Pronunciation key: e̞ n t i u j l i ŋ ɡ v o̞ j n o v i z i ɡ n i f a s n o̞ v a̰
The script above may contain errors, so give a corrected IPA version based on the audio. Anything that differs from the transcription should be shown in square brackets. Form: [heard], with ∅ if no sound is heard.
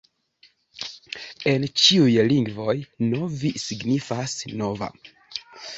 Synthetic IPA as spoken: e̞ n [t͡ʃ] i u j l i ŋ ɡ v o̞ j n o v i [s] i ɡ n i f a s n o̞ v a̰